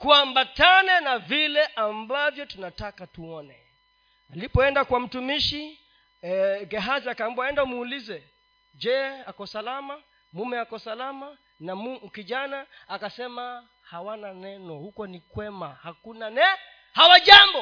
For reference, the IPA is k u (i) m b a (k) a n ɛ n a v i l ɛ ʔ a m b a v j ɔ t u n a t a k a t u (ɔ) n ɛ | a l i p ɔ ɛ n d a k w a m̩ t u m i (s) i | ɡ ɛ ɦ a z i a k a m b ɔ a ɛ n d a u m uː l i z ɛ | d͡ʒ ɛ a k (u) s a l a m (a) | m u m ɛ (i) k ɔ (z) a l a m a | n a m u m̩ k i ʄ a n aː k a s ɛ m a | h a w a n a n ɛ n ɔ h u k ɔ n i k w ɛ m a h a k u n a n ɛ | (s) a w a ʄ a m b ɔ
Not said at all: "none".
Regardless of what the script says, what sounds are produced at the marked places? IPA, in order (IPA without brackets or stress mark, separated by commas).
a, t, ɔ, ʃ, ɔ, a, a, s, h